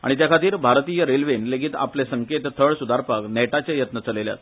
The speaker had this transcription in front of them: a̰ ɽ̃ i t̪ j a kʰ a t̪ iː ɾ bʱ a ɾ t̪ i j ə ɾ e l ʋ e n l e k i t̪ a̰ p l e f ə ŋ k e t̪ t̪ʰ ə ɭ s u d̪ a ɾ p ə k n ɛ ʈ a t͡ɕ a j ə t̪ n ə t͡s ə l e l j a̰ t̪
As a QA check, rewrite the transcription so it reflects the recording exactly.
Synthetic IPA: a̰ ɽ̃ i t̪ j a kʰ a t̪ iː ɾ bʱ a ɾ t̪ i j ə ɾ e l ʋ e n l e ɡ i t̪ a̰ p l e s ə ŋ k e t̪ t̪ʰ ə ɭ s u d̪ a ɾ p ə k n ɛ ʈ a t͡ɕ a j ə t̪ n ə t͡s ə l e l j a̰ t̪